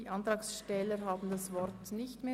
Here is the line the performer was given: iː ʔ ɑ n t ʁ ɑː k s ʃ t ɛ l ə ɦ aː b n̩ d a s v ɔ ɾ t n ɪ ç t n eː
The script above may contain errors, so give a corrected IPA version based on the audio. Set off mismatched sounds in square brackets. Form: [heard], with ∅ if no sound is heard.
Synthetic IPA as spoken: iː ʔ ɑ n t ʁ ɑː k s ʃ t ɛ l ə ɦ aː b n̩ d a s v ɔ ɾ t n ɪ ç t [m] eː